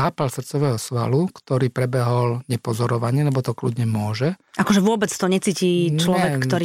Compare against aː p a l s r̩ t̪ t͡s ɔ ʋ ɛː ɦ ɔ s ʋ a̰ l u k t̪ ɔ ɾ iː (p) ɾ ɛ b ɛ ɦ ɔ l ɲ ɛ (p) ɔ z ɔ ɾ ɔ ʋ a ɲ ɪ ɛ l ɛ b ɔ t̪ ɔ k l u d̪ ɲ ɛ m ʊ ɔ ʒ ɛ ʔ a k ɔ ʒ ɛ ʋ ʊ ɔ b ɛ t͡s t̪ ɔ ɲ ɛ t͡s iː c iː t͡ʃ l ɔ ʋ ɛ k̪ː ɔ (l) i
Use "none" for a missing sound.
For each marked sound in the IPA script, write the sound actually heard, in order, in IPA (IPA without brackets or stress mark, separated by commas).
p, p, ɾ